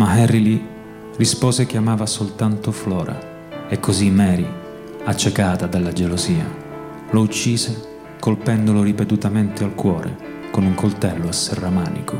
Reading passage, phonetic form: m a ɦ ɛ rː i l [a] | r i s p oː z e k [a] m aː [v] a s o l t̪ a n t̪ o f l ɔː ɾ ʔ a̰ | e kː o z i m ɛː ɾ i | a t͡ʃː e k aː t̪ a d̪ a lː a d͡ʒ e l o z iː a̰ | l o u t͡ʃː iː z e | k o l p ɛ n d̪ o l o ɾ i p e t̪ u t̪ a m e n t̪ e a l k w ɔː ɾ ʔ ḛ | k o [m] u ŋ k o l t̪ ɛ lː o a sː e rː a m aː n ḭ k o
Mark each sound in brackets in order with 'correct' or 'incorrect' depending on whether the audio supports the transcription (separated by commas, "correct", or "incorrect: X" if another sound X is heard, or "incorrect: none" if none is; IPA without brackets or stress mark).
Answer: incorrect: i, correct, correct, incorrect: n